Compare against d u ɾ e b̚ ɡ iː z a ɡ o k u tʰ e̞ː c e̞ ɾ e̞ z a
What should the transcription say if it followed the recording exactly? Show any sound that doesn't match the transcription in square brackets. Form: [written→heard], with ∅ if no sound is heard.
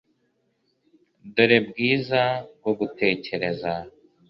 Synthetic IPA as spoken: d u ɾ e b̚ ɡ iː z a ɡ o [k→ɡ] u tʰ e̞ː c e̞ ɾ e̞ z a

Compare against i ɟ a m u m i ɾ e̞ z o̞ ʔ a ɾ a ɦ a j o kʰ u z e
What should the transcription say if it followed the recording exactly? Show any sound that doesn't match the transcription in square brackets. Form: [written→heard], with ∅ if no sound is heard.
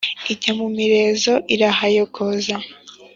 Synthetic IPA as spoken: i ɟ a m u m i ɾ e̞ z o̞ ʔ [a→i] ɾ a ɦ a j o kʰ [u→o] z [e→a]

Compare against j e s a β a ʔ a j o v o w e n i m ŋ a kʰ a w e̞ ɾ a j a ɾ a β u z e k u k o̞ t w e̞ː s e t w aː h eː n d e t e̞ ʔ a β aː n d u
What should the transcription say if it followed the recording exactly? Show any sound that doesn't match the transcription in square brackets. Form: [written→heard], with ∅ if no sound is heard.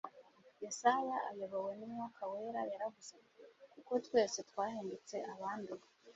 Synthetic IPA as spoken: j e s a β a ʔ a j o [v→β] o w e n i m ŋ a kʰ a w e̞ ɾ a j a ɾ a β u z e k u k o̞ t w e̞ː s e t w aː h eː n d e [t→t͡s] e̞ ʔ a β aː n d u

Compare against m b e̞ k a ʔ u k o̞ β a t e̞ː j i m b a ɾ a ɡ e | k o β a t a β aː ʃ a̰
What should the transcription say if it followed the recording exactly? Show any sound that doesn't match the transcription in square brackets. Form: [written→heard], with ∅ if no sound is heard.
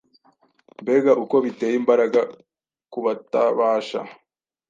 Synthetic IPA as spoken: m b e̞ [k→ɡ] a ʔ u k o̞ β [a→i] t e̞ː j i m b a ɾ a ɡ [e→a] | k [o→u] β a t a β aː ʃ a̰

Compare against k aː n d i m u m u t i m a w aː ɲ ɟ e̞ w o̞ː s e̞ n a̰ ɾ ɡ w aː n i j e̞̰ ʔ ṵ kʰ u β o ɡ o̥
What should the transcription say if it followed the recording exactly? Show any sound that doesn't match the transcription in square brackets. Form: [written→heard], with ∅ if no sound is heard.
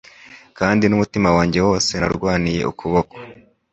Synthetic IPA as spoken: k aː n d i [m→n] u m u t i m a w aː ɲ ɟ e̞ w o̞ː s e̞ n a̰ ɾ ɡ w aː n i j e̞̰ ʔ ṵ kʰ u β o [ɡ→k] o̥

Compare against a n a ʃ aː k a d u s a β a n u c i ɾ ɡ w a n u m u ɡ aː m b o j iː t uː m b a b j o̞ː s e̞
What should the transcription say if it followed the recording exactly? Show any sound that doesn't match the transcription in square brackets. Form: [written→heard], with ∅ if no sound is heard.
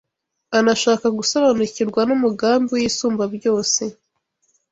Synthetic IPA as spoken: a n a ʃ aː k a [d→ɡ] u s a β a n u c i ɾ ɡ w a n u m u ɡ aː m b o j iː [t→s] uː m b a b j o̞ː s e̞

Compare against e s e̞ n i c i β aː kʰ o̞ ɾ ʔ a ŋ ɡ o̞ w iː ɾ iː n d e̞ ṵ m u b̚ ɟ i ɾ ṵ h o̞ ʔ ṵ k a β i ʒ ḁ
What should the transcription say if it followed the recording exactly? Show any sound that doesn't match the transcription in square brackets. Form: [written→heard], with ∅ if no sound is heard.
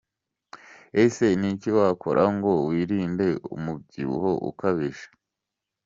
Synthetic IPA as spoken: e s e̞ n i c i [β→w] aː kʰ o̞ ɾ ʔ a ŋ ɡ o̞ w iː ɾ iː n d e̞ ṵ m u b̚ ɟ i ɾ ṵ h o̞ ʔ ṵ k a β i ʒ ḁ

